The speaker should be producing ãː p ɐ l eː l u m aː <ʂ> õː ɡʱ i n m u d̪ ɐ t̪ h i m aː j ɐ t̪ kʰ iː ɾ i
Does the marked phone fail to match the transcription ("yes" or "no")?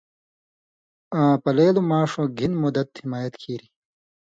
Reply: no